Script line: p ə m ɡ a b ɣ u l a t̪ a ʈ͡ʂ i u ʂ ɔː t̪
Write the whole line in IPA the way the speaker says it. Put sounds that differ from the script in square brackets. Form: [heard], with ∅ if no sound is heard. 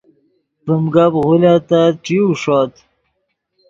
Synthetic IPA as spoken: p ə m ɡ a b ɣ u l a t̪ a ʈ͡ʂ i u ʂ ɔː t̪

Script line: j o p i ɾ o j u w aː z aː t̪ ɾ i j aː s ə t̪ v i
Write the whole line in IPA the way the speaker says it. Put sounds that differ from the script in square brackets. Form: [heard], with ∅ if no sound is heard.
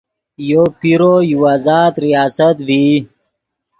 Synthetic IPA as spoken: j o p i ɾ o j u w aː z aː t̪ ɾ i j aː s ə t̪ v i

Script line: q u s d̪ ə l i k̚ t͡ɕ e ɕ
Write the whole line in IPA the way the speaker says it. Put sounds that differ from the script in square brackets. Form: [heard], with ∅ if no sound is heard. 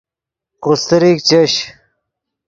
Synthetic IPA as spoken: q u s [t̪] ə [ɾ] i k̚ t͡ɕ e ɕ

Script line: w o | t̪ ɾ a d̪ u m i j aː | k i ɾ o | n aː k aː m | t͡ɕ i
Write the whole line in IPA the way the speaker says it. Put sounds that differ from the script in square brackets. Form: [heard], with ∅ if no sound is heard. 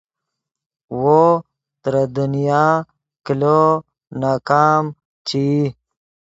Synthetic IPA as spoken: w o | t̪ ɾ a d̪ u [n] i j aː | k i [l] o | n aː k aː m | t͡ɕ i

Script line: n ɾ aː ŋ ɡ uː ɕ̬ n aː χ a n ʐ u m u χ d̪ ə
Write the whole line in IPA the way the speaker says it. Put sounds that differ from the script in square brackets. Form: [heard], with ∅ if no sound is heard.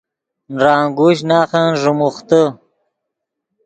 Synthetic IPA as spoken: n ɾ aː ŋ ɡ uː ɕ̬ n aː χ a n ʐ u m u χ [t̪] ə

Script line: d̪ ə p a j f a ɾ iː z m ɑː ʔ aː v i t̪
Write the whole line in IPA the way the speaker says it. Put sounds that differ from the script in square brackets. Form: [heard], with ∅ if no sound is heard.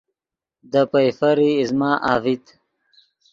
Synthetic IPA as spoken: d̪ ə p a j f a ɾ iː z m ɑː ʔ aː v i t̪

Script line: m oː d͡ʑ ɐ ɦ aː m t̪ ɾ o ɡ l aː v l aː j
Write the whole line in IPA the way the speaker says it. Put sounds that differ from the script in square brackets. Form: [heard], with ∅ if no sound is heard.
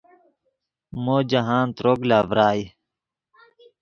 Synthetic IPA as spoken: m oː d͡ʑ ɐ ɦ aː [n] t̪ ɾ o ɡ l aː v [ɾ] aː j

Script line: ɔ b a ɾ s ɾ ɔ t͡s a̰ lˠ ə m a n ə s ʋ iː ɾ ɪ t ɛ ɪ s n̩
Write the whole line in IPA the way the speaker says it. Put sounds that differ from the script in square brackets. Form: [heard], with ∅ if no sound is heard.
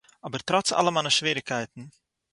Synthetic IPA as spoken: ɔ b [ə] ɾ [t] ɾ ɔ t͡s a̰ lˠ ə m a n ə [ʃ] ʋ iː ɾ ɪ [k] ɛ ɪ [t] n̩

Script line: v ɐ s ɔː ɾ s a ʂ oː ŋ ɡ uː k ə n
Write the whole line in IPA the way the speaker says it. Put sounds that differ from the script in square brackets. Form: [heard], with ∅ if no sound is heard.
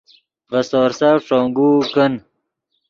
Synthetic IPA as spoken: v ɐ s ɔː ɾ s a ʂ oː ŋ ɡ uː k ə n

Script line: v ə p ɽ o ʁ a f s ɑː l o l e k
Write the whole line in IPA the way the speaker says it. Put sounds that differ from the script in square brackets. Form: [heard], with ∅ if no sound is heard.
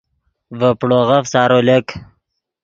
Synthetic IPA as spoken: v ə p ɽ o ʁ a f s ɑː [ɾ] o l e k

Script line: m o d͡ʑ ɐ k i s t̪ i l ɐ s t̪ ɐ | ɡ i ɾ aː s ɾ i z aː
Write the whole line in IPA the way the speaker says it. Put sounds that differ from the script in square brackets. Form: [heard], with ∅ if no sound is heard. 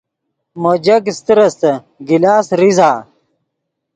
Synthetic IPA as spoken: m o d͡ʑ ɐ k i s t̪ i [ɾ] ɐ s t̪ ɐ | ɡ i [l] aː s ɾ i z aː

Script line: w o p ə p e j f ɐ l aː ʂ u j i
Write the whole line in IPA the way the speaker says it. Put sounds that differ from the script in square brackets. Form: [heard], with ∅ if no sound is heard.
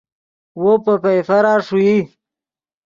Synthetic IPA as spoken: w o p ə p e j f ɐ [ɾ] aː ʂ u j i

